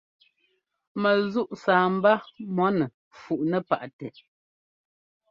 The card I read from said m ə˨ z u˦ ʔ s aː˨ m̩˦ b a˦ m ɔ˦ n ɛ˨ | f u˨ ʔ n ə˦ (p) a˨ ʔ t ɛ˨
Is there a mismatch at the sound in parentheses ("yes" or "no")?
no